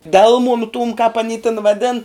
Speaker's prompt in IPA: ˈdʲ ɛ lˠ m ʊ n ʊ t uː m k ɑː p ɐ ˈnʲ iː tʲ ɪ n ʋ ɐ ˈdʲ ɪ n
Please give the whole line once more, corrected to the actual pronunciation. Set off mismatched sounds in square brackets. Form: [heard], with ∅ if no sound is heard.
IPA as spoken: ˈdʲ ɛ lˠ m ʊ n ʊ t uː m k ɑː p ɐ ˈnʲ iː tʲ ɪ n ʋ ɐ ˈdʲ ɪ n